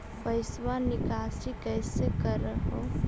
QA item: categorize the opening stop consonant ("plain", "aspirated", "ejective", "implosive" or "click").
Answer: plain